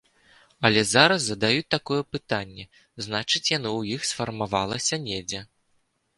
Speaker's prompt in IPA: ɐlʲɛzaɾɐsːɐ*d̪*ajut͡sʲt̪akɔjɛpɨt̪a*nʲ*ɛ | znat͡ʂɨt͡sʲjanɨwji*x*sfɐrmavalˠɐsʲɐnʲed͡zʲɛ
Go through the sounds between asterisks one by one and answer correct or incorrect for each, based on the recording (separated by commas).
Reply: correct, incorrect, correct